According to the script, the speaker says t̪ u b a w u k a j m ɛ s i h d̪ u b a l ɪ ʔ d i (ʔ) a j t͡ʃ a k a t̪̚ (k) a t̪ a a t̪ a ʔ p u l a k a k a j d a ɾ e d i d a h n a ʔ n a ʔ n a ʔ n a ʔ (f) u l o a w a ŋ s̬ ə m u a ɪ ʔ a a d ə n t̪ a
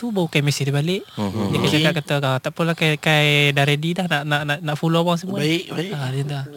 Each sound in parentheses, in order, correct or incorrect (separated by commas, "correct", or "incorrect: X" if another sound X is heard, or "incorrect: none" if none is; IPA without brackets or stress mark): incorrect: k, correct, correct